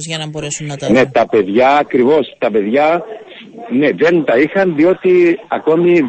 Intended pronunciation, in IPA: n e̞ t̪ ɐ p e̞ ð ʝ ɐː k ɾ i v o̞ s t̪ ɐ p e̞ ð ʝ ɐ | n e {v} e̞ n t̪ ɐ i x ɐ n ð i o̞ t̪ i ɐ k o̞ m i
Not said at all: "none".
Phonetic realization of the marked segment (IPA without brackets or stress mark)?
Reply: ð